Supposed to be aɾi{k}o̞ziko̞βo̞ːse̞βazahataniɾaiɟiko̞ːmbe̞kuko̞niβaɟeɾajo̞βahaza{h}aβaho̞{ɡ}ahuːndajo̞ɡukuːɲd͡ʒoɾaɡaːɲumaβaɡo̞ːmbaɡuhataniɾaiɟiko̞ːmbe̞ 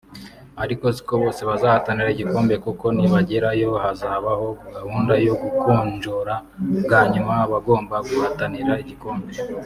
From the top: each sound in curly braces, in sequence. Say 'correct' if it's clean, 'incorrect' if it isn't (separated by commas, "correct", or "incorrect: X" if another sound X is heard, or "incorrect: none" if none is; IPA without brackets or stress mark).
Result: correct, correct, correct